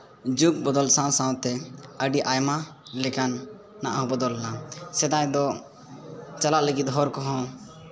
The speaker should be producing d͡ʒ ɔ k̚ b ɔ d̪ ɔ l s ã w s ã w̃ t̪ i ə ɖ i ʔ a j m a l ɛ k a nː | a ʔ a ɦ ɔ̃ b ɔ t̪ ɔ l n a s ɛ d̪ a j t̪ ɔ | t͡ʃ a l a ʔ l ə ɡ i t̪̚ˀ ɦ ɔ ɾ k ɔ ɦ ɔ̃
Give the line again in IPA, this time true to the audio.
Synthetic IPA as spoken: d͡ʒ u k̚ b ɔ d̪ ɔ l s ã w s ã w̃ t̪ ɛ ə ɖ i ʔ a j m a l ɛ k a nː | a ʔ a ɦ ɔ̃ b ɔ d̪ ɔ l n a s ɛ d̪ a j d̪ ɔ | t͡ʃ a l a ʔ l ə ɡ i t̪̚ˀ ɦ ɔ ɾ k ɔ ɦ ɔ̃